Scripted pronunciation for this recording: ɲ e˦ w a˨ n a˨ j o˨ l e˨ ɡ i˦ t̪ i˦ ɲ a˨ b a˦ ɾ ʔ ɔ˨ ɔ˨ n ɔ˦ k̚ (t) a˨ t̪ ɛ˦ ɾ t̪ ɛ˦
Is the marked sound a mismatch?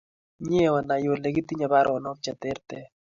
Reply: yes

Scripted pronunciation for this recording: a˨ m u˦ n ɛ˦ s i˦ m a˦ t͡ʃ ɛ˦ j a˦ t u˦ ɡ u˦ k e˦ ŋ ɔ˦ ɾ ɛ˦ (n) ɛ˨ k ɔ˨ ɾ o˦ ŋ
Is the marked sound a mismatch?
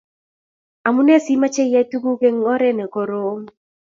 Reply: no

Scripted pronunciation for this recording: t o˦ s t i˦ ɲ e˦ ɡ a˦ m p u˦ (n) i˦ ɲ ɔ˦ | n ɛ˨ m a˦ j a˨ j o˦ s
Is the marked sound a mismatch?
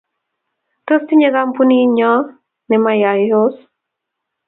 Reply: no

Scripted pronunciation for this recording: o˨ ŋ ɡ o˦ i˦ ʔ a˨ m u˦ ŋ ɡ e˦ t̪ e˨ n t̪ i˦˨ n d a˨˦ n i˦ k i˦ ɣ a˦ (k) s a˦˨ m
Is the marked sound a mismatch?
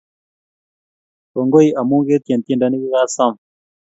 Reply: yes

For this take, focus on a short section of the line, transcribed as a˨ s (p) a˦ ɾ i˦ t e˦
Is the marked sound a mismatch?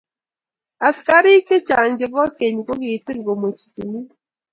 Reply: yes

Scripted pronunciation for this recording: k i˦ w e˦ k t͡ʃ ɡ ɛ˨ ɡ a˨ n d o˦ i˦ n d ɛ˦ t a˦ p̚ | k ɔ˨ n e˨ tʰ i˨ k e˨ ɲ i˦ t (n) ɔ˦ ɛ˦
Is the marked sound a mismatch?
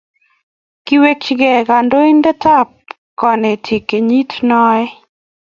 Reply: no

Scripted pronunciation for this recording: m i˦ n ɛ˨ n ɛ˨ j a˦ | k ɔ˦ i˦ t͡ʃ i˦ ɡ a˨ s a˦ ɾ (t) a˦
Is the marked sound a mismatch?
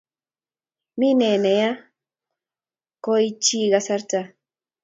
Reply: no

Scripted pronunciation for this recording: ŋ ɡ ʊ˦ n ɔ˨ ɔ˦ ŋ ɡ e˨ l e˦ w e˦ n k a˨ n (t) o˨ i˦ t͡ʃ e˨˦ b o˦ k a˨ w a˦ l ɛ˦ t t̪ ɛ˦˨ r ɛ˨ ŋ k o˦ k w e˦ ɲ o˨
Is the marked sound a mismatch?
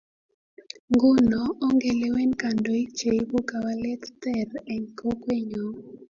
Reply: yes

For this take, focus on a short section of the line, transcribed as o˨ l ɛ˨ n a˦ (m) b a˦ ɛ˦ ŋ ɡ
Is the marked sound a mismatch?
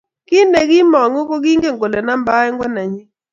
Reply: no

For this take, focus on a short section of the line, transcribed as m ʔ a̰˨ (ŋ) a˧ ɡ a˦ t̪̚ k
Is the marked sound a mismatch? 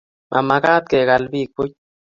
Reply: yes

